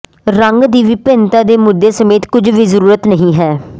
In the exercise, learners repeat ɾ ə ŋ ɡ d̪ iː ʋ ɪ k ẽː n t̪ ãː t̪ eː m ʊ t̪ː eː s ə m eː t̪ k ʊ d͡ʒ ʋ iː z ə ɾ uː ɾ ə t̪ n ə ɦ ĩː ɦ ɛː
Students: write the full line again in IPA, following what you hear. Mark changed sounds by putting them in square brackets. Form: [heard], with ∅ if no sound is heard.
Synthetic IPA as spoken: ɾ ə ŋ ɡ d̪ iː ʋ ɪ [p] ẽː n t̪ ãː [d̪] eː m ʊ [d̪ː] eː s ə m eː t̪ k ʊ d͡ʒ ʋ iː z ə ɾ uː ɾ ə t̪ n ə ɦ ĩː ɦ ɛː